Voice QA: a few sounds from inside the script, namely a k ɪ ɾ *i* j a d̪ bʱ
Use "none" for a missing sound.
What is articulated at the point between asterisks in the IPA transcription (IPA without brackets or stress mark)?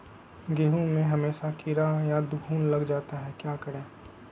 a